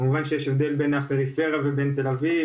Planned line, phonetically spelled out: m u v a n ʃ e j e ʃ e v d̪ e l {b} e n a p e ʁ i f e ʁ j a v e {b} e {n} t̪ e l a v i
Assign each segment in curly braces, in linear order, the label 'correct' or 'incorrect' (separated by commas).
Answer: correct, correct, correct